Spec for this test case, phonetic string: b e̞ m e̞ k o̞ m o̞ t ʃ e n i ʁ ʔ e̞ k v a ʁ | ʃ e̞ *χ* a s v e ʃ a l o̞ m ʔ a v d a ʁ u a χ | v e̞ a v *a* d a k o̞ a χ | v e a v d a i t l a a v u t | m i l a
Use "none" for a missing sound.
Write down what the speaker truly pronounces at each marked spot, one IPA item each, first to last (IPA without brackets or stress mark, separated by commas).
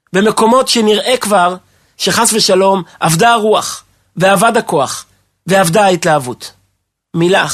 χ, a